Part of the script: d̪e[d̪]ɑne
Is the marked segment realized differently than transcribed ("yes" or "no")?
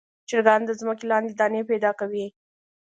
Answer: no